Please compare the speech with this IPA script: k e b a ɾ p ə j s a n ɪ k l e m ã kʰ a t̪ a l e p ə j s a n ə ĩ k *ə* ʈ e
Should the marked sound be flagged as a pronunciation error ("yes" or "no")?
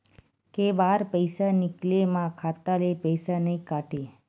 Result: yes